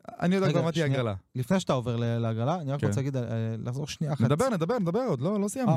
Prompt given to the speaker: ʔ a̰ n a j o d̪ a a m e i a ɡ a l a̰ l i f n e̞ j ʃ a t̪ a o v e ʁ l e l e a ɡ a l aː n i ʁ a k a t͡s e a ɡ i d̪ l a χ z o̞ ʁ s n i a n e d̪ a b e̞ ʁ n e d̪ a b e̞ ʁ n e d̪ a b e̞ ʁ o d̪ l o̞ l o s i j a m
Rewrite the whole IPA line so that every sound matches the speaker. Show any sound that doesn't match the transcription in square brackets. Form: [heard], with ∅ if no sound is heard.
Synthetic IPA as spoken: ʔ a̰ n [i] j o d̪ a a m [a] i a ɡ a l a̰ l i f n e̞ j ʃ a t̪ a o v e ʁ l e l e a ɡ a l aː n i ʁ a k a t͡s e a ɡ i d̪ l a χ z o̞ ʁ [ʃ] n i a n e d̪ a b e̞ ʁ n e d̪ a b e̞ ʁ n e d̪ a b e̞ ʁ o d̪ l o̞ l o s i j a m